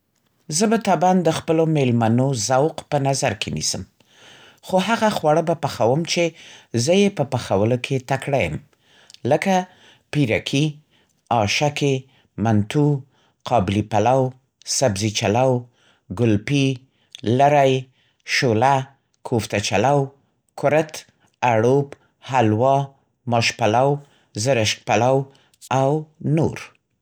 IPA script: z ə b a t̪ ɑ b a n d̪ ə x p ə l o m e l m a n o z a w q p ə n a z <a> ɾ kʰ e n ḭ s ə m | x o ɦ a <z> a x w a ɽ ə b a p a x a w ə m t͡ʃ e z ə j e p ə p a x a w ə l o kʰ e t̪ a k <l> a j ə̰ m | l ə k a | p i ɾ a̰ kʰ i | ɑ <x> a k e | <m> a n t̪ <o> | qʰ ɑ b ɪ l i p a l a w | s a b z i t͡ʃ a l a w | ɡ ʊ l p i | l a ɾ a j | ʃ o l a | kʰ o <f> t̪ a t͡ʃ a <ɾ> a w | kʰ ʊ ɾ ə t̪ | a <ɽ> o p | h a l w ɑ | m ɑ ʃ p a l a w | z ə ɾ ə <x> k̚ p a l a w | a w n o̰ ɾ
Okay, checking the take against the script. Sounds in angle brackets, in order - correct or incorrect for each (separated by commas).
correct, incorrect, incorrect, incorrect, correct, incorrect, correct, incorrect, correct, incorrect